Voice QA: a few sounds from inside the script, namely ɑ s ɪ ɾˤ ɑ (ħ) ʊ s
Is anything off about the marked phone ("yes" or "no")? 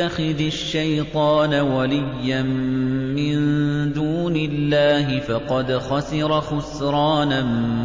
yes